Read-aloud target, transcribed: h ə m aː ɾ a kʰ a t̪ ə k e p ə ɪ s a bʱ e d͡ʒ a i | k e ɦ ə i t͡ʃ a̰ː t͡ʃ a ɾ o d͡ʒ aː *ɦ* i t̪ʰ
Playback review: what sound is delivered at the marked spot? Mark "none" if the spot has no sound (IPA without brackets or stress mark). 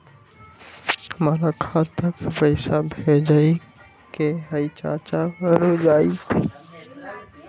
none